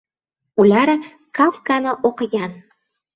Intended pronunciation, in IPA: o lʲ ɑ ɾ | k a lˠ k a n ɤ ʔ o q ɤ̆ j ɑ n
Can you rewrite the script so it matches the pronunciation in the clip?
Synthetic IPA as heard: u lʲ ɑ ɾ | k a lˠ k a n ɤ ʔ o q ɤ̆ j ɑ n